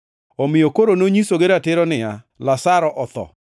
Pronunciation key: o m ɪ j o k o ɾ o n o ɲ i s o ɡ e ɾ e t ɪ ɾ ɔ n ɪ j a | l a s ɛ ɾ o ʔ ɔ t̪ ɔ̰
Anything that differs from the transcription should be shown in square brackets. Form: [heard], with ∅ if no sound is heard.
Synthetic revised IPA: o m ɪ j o k o ɾ o n o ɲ i s o ɡ e ɾ [a] t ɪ ɾ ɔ n ɪ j a | l a s [a] ɾ [ɔ] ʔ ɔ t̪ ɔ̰